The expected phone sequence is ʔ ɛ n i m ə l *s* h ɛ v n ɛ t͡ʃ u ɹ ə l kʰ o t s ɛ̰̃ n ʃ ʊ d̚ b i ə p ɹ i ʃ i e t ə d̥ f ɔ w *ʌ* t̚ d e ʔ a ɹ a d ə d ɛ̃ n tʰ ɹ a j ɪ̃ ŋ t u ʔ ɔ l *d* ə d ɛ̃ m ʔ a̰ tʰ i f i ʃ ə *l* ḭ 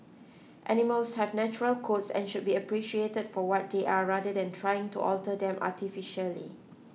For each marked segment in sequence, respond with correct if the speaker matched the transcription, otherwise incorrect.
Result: correct, incorrect, incorrect, correct

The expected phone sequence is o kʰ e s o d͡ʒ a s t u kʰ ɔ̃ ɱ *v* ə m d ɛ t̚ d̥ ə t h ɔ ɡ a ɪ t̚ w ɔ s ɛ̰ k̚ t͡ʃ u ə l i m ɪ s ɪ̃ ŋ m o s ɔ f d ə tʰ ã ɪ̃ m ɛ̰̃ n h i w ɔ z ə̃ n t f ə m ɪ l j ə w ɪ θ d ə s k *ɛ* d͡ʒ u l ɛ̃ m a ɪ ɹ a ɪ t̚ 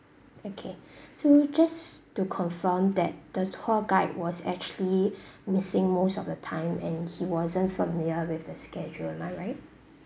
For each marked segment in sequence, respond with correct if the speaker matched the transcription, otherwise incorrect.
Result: incorrect, correct

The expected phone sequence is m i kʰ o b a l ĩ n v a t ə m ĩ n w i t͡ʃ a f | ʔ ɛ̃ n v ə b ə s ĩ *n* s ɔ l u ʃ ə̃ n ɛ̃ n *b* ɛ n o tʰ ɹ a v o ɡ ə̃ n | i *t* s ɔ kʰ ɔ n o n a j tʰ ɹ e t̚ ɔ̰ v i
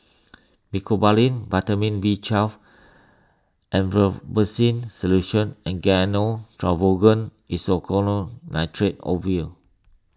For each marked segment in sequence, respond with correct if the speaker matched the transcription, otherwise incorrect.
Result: correct, incorrect, incorrect

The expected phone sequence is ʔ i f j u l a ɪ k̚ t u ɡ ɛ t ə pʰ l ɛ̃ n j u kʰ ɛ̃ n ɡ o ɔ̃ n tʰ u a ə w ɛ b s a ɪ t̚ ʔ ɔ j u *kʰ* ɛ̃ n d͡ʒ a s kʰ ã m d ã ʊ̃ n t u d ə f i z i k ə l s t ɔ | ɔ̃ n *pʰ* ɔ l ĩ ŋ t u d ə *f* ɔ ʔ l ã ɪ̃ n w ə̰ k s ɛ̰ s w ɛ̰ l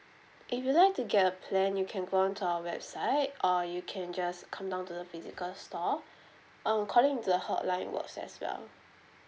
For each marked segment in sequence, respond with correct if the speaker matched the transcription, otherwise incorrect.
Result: correct, incorrect, incorrect

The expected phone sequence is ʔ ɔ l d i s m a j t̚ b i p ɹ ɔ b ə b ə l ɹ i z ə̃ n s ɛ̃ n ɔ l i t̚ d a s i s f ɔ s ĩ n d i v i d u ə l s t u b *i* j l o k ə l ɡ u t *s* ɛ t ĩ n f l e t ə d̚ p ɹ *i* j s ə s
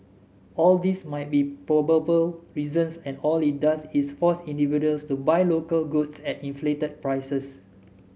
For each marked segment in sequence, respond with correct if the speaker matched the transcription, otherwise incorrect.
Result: incorrect, correct, incorrect

